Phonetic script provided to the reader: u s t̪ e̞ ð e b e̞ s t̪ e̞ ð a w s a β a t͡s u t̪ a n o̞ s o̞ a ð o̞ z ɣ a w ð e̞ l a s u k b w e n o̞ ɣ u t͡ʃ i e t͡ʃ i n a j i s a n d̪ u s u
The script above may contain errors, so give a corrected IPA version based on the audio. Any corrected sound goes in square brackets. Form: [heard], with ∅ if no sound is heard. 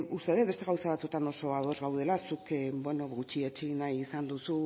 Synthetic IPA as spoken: u s t̪ e̞ ð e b e̞ s t̪ e̞ [ɣ] a w s a β a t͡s u t̪ a n o̞ s o̞ a ð o̞ z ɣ a w ð e̞ l a s u k b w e n o̞ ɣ u t͡ʃ i e t͡ʃ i n a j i s a n d̪ u s u